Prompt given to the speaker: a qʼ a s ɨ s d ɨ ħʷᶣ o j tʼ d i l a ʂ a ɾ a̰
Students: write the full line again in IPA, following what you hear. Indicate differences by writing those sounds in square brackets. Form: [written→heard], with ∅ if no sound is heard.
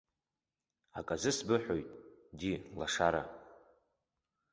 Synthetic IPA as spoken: a [qʼ→kʼ] a [s→z] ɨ s [d→b] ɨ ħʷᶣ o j tʼ d i l a ʂ a ɾ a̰